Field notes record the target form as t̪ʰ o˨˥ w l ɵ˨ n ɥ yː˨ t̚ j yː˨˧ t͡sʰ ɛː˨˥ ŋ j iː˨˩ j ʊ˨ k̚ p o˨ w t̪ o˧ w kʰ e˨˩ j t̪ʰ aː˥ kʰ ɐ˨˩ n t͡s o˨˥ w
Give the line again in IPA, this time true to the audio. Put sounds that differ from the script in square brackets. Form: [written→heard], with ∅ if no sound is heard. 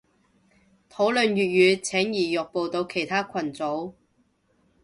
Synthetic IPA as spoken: t̪ʰ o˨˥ w l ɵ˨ n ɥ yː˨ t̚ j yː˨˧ t͡sʰ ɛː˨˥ ŋ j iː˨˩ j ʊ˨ k̚ p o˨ w t̪ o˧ w kʰ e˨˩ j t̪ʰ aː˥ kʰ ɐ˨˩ n t͡s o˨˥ w